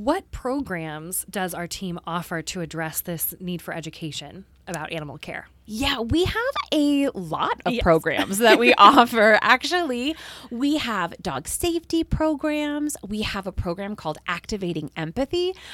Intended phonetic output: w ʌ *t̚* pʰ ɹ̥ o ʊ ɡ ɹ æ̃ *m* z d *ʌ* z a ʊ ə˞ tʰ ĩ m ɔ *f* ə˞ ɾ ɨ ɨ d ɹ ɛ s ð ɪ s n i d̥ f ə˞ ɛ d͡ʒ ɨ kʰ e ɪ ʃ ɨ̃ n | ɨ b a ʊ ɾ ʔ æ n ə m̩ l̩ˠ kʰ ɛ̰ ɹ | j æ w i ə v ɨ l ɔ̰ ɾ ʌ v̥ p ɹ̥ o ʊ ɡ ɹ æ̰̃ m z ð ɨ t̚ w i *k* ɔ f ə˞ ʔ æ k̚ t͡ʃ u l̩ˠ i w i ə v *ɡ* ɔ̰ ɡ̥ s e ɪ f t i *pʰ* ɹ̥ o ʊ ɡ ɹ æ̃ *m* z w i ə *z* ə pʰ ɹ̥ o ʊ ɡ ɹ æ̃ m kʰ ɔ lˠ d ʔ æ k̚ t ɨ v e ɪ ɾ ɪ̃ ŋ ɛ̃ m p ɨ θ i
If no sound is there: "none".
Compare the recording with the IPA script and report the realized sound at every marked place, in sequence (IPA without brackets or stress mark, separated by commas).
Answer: t̚, m, ʌ, f, ʔ, d, pʰ, m, v